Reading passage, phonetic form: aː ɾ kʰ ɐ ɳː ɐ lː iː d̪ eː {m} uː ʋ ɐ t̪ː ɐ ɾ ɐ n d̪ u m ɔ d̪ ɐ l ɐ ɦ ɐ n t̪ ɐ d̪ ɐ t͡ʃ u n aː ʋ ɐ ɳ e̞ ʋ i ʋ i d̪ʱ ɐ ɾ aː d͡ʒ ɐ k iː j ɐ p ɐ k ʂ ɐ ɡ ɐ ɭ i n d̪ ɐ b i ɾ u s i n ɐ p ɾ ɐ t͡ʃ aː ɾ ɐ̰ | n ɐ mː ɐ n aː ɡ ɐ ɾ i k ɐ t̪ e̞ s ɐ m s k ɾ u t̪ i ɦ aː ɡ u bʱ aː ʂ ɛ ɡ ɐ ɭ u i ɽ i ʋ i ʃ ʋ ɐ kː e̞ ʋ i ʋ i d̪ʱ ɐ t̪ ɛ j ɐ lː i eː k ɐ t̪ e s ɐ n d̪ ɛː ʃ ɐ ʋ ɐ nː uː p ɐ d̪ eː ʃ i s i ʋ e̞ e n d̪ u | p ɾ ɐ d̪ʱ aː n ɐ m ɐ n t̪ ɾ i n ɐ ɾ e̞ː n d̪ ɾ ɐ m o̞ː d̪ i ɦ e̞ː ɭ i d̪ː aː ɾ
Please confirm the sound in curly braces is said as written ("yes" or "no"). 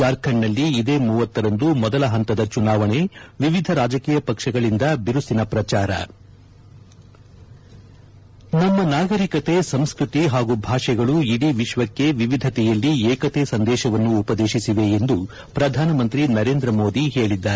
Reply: yes